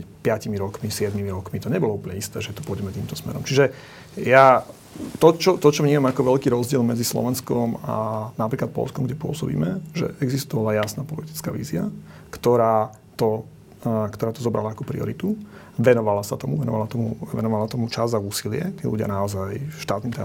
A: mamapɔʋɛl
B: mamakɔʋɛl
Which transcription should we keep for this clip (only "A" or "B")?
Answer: B